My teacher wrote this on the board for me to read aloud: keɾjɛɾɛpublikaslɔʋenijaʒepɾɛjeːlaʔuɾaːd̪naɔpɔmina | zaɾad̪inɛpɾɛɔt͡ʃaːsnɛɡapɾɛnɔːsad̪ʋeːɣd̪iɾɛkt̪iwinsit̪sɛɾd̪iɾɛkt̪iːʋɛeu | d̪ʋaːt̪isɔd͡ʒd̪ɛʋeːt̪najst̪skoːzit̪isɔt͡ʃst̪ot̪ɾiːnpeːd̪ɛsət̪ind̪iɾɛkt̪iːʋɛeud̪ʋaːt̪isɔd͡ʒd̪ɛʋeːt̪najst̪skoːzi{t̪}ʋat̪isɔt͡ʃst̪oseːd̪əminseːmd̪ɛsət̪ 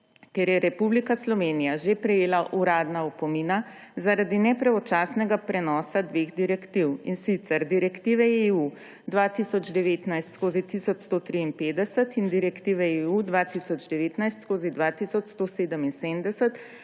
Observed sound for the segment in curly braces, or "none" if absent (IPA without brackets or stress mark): d̪